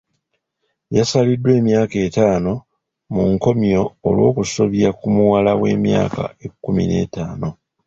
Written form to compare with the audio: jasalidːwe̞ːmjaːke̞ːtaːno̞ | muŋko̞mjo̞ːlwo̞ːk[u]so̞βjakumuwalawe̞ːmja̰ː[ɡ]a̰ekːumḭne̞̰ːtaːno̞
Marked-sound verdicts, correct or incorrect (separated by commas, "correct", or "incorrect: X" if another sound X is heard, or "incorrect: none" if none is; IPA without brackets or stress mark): correct, incorrect: k